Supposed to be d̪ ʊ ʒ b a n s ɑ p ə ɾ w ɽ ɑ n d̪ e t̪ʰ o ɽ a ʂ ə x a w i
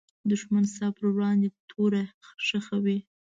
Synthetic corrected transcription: d̪ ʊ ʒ m a n s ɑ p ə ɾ w ɽ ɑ n d̪ e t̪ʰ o ɾ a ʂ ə x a w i

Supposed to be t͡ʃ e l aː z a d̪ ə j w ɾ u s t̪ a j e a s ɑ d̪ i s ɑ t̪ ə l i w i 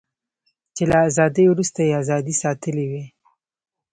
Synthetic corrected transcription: t͡ʃ e l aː z ɑ d̪ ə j w ɾ u s t̪ a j e a z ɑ d̪ i s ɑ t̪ ə l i w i

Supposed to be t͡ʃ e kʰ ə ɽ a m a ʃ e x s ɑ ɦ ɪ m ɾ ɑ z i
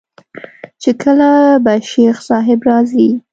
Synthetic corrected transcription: t͡ʃ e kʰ ə l a b a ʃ e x s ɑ ɦ ɪ b ɾ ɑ z i

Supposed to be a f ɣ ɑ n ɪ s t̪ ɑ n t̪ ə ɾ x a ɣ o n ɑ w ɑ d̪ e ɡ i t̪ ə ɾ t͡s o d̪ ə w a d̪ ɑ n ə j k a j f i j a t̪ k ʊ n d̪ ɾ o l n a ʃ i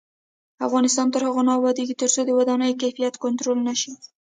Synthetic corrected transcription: a f ɣ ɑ n ɪ s t̪ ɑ n t̪ ə ɾ h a ɣ o n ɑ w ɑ d̪ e ɡ i t̪ ə ɾ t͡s o d̪ ə w a d̪ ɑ n ə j k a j f i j a t̪ k ʊ n t̪ ɾ o l n a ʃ i

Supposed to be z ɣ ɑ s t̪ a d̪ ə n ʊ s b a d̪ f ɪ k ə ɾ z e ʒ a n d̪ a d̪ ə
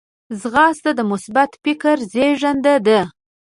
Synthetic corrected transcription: z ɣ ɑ s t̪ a d̪ ə m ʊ s b a t̪ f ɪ k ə ɾ z e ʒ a n d̪ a d̪ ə

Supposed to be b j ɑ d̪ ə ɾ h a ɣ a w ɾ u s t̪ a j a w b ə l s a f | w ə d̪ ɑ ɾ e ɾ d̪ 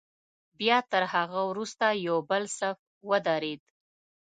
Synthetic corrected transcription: b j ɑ t̪ ə ɾ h a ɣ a w ɾ u s t̪ a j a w b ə l s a f | w ə d̪ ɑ ɾ e d̪

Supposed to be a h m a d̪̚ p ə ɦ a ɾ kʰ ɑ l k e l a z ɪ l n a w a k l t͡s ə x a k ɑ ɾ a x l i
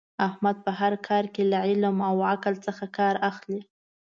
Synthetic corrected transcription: a h m a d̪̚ p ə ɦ a ɾ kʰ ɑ ɾ k e l a ʕ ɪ l m a w a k l t͡s ə x a k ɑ ɾ a x l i

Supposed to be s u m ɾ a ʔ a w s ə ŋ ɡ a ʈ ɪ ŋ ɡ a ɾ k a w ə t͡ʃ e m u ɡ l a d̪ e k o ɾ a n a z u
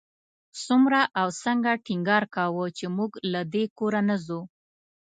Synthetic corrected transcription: s u m ɾ a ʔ a w s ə ŋ ɡ a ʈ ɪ ŋ ɡ ɑ ɾ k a w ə t͡ʃ e m u ɡ l a d̪ e k o ɾ a n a z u

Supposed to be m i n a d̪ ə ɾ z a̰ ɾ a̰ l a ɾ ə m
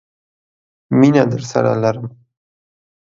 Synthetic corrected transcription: m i n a d̪ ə ɾ s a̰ ɾ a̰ l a ɾ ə m

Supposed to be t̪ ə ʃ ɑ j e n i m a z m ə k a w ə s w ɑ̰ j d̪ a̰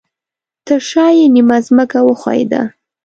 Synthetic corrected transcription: t̪ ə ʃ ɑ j e n i m a z m ə k a w ə x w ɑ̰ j d̪ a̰

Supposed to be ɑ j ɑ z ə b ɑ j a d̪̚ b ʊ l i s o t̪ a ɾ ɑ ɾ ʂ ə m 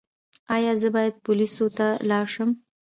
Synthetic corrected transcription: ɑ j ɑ z ə b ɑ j a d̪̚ p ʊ l i s o t̪ a l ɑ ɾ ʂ ə m

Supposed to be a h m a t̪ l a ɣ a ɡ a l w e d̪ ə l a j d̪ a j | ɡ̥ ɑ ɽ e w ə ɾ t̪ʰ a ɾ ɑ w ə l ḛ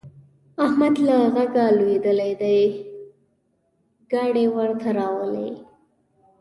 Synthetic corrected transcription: a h m a d̪ l a ɣ a ɡ a l w e d̪ ə l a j d̪ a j | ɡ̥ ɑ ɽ e w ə ɾ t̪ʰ a ɾ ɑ w ə l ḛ

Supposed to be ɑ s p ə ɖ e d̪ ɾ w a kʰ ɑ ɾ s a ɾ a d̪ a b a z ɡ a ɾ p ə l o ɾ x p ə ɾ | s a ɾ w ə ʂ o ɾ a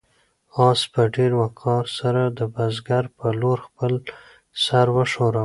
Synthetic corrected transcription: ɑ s p ə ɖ e ɾ w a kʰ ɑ ɾ s a ɾ a d̪ ə b a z ɡ a ɾ p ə l o ɾ x p ə l | s a ɾ w ə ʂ o ɾ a

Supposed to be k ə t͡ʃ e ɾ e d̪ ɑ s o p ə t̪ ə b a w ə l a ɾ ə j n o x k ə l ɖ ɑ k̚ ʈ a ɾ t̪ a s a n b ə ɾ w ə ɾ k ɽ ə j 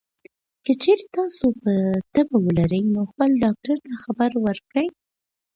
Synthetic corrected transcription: k ə t͡ʃ e ɾ e t̪ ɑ s o p ə t̪ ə b a w ə l a ɾ ə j n o x p ə l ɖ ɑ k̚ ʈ a ɾ t̪ a x a b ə ɾ w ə ɾ k ɽ ə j

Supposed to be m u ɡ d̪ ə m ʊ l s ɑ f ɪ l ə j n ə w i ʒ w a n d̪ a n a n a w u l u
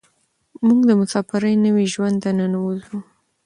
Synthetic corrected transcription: m u ɡ d̪ ə m ʊ s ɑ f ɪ ɾ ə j n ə w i ʒ w a n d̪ a n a n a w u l u

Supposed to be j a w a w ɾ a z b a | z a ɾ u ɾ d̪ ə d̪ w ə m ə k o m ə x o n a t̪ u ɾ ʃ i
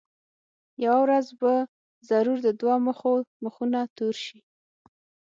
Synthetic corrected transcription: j a w a w ɾ a z b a | z a ɾ u ɾ d̪ ə d̪ w ɑ m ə x o m ə x u n a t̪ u ɾ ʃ i

